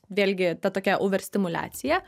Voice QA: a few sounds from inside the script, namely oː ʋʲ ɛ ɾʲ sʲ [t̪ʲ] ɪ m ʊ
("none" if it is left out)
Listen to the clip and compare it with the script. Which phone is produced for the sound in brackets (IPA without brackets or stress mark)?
t̪ʲ